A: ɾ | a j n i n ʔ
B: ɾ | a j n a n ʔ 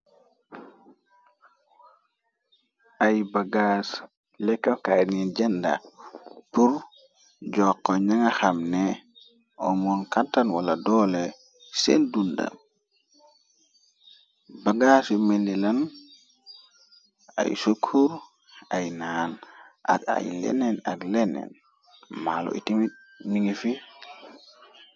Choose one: B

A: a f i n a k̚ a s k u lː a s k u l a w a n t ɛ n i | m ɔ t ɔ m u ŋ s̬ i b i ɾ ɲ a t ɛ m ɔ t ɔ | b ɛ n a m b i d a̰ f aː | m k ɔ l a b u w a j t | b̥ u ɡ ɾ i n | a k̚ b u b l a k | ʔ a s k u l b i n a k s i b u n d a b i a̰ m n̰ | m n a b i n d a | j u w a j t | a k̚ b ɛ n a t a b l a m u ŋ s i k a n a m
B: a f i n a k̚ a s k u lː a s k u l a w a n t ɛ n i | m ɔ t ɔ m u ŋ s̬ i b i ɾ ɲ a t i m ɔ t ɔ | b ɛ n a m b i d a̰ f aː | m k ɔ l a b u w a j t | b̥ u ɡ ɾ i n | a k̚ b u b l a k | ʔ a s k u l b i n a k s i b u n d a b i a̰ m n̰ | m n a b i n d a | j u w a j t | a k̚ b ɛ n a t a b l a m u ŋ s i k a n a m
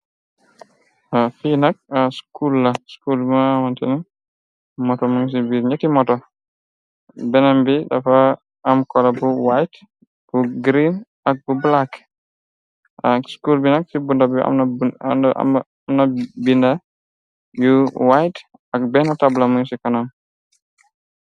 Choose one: B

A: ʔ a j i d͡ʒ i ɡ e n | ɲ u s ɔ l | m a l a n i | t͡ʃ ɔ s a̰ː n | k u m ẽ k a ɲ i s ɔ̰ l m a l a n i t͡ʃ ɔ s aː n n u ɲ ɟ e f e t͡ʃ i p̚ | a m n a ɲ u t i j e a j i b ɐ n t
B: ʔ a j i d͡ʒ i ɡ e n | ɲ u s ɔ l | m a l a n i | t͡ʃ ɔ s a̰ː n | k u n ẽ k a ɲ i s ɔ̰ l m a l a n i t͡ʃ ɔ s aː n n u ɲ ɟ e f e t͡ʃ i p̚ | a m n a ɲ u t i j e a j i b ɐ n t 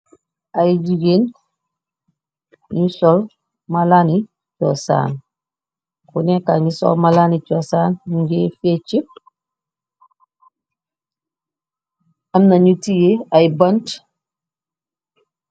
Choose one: B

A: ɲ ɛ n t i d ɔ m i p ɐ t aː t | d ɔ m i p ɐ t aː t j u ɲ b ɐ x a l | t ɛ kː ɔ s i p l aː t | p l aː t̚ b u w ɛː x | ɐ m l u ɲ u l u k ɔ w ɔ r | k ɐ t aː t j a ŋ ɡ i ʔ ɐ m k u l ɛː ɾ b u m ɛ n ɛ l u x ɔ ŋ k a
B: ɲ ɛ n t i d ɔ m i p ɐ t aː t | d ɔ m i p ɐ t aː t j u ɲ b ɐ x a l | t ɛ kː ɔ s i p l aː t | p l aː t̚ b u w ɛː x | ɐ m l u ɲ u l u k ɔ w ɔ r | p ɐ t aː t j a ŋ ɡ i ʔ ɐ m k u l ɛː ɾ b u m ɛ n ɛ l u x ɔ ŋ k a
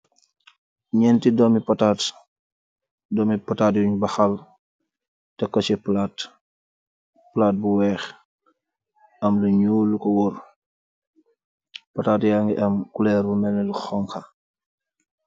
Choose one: B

